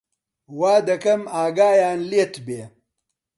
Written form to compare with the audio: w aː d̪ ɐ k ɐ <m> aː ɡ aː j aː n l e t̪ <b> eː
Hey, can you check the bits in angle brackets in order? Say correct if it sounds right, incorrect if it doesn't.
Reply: correct, correct

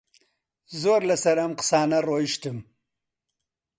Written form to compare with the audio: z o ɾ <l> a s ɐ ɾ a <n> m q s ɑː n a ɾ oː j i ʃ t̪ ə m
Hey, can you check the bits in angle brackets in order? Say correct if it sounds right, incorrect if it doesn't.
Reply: correct, incorrect: none

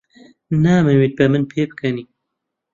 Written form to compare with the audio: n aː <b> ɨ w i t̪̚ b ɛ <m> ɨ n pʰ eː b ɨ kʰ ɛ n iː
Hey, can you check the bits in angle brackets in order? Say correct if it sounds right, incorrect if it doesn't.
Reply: incorrect: m, correct

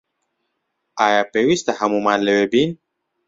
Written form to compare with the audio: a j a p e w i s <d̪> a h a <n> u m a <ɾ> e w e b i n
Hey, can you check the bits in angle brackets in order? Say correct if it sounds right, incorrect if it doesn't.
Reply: incorrect: t̪, incorrect: m, incorrect: l

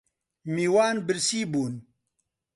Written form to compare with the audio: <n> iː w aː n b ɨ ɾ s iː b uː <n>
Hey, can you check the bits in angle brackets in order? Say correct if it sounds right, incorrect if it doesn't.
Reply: incorrect: m, correct

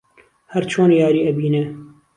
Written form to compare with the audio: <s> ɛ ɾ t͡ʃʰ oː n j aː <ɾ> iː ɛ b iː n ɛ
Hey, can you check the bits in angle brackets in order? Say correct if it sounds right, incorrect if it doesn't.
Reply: incorrect: h, correct

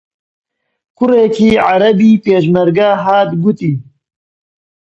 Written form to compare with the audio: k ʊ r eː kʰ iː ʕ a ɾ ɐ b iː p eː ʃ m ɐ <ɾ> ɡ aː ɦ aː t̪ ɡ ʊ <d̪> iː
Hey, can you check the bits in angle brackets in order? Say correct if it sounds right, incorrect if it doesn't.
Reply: correct, incorrect: t̪

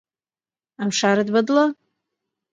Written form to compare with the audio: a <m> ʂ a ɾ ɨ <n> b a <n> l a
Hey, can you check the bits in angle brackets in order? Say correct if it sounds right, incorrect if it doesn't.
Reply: correct, incorrect: d, incorrect: d

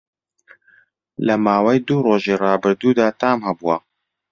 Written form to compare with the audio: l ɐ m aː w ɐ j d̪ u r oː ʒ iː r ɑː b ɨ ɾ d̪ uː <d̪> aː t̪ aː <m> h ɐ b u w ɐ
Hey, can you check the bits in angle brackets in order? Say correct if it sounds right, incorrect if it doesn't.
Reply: correct, correct

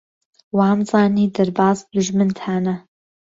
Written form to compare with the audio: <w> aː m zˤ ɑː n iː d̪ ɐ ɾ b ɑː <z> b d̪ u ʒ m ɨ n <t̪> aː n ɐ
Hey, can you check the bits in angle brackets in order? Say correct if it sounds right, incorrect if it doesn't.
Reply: correct, correct, incorrect: t̪ʰ

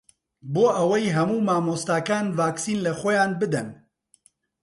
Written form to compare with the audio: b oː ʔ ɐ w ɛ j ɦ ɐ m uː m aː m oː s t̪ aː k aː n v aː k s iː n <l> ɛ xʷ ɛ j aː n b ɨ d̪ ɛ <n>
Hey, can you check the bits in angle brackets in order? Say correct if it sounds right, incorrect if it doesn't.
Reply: correct, correct

